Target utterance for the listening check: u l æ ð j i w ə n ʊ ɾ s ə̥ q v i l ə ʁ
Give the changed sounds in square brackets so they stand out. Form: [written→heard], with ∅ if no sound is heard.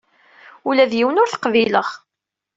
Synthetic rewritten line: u l æ ð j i w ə n ʊ ɾ [s→θ] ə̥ q v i l ə ʁ